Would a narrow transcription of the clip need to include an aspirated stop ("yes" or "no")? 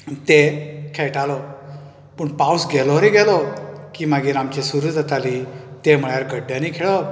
yes